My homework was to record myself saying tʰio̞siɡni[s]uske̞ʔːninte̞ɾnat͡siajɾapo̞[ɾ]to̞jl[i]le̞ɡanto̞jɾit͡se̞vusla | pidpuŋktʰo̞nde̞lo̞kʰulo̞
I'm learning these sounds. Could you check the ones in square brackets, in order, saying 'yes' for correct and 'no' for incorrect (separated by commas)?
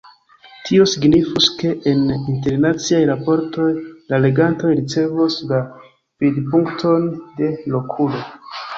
no, yes, no